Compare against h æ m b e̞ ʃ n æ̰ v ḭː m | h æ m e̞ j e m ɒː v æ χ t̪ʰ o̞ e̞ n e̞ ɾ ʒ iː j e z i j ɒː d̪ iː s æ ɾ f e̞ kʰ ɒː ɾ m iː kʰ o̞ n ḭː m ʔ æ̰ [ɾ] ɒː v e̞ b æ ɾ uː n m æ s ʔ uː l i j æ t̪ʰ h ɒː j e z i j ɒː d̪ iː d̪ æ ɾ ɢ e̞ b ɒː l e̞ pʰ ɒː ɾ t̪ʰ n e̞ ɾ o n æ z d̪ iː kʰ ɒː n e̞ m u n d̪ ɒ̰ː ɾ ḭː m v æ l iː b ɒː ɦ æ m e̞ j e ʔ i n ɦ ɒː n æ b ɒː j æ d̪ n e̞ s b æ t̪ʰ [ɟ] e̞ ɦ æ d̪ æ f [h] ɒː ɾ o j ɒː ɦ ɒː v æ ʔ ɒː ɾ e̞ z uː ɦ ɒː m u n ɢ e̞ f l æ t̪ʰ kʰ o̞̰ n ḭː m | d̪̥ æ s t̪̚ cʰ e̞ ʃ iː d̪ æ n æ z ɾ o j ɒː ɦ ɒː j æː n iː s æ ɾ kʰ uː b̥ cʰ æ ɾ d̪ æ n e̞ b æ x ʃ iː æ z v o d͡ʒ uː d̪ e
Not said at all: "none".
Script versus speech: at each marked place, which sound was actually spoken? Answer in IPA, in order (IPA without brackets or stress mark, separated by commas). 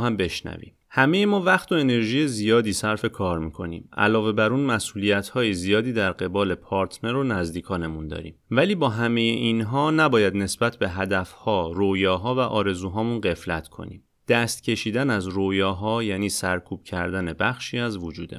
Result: l, b, h